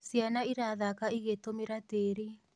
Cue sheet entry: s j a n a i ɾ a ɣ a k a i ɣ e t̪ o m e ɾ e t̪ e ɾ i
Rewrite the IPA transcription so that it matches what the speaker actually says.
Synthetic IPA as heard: s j a n a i ɾ a ð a k a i ɣ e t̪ o m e ɾ a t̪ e ɾ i